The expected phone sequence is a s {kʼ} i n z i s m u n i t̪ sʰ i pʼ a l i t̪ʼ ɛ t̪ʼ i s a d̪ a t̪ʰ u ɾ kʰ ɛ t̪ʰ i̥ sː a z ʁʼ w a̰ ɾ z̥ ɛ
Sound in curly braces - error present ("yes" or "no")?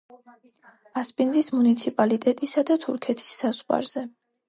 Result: yes